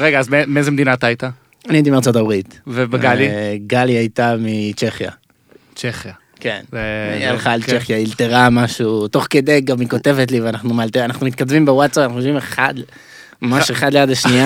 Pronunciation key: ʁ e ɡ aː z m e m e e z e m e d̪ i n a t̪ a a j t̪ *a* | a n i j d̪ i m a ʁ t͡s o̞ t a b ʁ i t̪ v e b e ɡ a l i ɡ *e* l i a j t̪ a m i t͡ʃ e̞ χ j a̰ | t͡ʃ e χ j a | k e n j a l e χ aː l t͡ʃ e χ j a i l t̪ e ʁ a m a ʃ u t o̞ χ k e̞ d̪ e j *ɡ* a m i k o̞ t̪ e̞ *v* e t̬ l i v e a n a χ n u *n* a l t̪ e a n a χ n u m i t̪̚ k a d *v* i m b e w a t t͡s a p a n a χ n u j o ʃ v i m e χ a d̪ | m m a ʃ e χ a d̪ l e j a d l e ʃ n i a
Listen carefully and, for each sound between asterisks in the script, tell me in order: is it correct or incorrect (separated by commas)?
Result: correct, incorrect, correct, correct, incorrect, correct